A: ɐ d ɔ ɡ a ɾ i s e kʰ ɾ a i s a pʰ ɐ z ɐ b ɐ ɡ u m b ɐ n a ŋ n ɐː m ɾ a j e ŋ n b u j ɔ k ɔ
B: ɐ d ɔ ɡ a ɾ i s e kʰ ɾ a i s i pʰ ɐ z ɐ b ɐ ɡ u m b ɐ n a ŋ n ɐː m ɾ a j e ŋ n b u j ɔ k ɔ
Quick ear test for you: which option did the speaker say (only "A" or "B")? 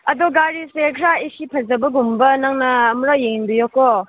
B